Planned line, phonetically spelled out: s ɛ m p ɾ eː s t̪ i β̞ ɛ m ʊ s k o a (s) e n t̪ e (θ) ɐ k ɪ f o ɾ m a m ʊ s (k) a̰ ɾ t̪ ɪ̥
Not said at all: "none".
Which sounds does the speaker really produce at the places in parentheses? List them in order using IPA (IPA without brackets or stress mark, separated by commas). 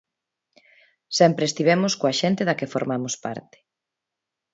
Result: ʃ, ð, p